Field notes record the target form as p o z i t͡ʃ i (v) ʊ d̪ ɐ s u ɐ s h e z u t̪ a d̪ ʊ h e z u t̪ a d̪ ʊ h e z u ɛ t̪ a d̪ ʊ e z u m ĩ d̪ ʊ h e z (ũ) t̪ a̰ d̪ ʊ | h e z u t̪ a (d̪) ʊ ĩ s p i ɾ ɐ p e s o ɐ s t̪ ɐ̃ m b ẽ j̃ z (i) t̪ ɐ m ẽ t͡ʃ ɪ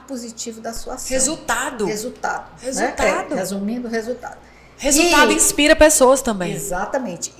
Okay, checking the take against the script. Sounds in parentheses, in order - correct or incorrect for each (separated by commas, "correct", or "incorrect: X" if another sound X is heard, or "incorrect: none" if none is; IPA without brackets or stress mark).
correct, incorrect: u, correct, incorrect: a